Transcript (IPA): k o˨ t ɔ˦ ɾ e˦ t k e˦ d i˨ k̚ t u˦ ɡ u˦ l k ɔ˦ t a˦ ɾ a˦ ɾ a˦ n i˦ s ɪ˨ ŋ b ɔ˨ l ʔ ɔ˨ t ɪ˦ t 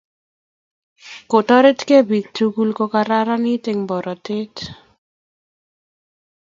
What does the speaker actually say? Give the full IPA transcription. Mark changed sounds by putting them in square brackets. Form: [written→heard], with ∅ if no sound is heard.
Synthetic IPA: k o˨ t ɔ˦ ɾ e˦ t k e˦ [d→b] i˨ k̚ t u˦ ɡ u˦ l k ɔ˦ [t→k] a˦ ɾ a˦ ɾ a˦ n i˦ [s→t] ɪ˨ ŋ b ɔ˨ [l→ɾ] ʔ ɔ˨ t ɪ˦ t

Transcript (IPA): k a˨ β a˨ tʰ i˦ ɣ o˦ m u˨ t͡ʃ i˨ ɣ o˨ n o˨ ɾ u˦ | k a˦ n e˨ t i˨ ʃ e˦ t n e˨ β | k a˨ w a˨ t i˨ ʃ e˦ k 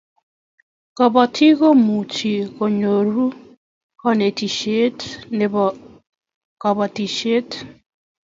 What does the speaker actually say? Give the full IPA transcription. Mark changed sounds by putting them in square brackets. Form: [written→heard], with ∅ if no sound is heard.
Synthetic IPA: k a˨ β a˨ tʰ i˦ ɣ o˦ m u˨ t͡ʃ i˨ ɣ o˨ [n→ɲ] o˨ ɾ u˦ | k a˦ n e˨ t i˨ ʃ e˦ t n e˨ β | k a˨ [w→β] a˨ t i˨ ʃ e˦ [k→t]

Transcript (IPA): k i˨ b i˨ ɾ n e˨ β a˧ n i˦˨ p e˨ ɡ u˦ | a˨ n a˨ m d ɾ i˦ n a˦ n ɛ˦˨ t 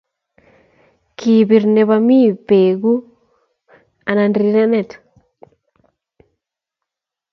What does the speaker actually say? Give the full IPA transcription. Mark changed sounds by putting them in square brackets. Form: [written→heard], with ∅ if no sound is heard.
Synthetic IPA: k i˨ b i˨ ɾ n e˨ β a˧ [n→m] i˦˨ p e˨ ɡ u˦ | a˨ n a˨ [m→n] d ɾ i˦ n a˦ n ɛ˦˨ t

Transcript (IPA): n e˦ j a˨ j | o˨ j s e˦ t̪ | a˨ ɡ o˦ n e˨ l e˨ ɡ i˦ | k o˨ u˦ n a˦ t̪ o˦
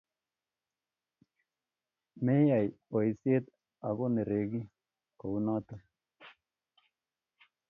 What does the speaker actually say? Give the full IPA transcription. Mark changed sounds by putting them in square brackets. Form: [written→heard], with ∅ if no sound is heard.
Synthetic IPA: [n→m] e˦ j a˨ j | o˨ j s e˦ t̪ | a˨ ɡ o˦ n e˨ [l→ɾ] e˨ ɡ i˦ | k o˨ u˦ n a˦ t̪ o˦

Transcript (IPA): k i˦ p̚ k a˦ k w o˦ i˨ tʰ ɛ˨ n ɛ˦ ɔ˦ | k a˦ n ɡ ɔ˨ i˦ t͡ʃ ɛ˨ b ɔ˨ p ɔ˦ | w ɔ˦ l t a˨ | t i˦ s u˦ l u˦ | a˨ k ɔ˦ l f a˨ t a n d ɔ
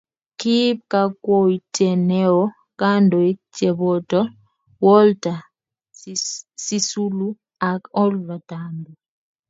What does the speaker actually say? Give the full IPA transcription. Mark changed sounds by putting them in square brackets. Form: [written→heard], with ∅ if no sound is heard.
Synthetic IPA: k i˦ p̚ k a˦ k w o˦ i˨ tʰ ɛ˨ n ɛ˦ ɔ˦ | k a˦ n [ɡ→d] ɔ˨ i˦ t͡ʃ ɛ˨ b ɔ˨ [p→t] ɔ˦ | w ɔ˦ l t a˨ | [t→s] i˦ s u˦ l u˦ | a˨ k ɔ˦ l [f→v] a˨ t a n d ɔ

